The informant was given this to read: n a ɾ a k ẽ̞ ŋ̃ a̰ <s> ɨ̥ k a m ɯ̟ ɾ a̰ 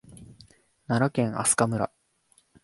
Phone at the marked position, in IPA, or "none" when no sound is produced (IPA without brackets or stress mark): s